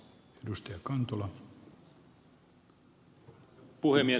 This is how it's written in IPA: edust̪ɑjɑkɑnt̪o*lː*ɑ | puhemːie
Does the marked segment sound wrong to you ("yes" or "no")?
yes